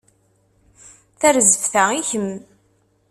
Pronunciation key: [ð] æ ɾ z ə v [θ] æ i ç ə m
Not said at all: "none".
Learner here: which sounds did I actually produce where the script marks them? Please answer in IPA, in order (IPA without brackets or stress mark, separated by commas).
θ, θ